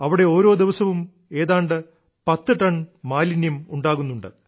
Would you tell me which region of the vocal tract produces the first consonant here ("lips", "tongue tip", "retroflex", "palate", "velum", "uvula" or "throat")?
lips